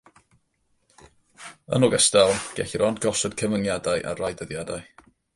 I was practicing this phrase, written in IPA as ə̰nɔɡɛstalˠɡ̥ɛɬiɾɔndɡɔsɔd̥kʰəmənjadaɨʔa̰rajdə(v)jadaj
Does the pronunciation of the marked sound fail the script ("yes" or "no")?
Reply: yes